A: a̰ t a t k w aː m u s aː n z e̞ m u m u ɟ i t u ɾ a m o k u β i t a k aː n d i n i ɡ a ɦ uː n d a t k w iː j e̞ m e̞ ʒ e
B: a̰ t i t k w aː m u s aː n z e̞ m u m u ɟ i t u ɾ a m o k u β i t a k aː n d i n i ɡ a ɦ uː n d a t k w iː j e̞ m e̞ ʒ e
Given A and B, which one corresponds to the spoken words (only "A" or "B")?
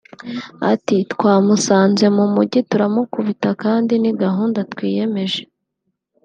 B